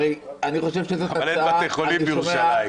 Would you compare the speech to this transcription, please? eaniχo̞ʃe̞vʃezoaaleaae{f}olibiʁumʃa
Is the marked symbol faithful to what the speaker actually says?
no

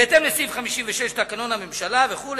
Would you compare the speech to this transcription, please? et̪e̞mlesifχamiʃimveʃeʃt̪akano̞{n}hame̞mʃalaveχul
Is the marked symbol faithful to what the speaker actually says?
yes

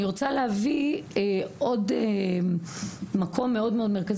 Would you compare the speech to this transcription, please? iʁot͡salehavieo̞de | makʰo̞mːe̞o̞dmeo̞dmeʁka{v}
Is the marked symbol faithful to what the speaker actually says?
no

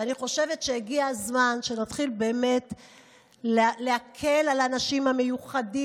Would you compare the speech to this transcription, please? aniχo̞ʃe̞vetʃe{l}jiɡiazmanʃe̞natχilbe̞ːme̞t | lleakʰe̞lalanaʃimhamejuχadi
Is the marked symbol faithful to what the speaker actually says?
no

